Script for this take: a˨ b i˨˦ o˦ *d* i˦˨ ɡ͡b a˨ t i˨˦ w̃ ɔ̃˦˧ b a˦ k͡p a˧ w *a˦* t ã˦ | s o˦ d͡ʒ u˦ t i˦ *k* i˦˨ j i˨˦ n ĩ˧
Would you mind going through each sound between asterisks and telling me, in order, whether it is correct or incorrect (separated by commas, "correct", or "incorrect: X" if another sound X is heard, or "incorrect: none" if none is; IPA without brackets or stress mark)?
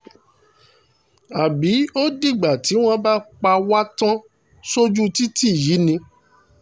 correct, correct, incorrect: t